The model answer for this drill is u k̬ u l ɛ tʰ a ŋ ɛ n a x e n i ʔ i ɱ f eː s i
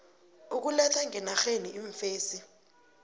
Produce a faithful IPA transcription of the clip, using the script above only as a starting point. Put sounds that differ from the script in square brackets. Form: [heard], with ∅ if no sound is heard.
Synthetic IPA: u k̬ u l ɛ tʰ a ŋ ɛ n a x e n i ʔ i ɱ f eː s i